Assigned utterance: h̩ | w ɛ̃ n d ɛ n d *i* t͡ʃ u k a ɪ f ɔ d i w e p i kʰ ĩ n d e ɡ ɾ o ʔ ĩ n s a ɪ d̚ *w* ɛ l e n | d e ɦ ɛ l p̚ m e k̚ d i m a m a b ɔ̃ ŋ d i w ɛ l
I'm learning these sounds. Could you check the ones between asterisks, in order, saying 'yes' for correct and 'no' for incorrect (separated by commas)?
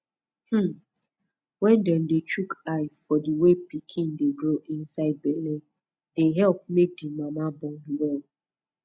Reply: no, no